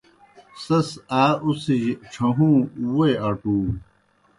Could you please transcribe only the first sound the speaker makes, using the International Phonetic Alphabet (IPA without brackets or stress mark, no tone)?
s